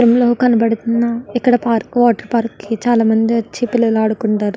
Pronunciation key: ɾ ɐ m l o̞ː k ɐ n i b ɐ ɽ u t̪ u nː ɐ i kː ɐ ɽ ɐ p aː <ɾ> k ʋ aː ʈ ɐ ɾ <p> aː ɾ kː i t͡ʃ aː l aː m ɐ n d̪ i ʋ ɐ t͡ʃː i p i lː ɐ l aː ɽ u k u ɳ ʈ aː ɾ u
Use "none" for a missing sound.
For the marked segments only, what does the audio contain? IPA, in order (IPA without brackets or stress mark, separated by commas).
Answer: ɾ, p